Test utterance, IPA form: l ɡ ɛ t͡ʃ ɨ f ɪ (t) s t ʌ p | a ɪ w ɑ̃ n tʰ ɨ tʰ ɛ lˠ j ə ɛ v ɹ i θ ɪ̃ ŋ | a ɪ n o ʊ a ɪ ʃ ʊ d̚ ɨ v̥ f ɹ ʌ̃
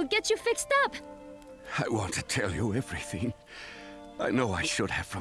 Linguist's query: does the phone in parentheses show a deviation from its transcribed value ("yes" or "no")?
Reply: yes